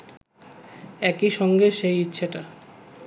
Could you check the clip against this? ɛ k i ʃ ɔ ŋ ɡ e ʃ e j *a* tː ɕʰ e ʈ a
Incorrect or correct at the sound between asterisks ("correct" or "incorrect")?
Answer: incorrect